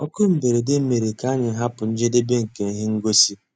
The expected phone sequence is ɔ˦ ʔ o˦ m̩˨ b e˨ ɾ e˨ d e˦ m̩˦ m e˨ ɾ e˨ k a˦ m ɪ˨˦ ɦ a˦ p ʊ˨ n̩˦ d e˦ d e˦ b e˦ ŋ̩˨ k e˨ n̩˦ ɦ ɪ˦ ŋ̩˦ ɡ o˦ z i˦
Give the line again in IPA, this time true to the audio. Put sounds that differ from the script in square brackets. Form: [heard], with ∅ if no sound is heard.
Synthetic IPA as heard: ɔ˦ [k] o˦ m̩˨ b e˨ ɾ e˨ d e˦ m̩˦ m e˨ ɾ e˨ k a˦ [ɲ] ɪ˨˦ ɦ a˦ p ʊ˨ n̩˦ [d͡ʒ] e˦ d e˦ b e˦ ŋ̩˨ k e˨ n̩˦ ɦ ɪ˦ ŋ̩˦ ɡ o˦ [s] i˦